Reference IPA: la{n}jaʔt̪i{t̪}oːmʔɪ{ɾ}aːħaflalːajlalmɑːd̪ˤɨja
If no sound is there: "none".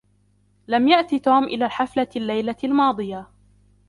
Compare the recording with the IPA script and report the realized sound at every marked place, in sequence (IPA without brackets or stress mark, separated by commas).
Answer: m, t̪, l